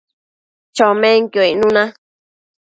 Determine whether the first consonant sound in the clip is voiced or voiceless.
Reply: voiceless